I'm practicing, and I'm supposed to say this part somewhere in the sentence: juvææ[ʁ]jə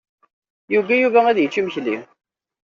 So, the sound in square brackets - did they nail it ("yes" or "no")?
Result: no